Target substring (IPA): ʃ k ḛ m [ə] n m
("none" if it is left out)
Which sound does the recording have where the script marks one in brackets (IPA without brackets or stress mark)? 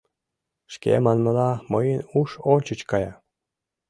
ɑ